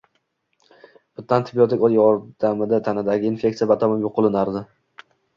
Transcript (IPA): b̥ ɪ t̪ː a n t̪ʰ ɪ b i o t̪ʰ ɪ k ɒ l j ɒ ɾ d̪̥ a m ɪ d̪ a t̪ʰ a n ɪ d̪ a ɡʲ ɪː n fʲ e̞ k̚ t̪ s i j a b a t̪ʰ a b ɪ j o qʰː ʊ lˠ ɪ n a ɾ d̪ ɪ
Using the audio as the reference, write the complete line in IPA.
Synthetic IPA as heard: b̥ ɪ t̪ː a n t̪ʰ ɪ b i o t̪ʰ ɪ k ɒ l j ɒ ɾ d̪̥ a m ɪ d̪ a t̪ʰ a n ɪ d̪ a ɡʲ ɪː n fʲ e̞ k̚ t̪ s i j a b a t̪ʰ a m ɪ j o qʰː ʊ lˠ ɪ n a ɾ d̪ ɪ